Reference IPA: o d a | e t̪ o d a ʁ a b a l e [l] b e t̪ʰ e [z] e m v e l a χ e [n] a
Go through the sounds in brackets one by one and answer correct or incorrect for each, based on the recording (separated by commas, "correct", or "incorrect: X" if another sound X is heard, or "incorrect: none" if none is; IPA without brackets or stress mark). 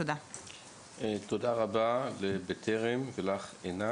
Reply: incorrect: none, incorrect: ʁ, correct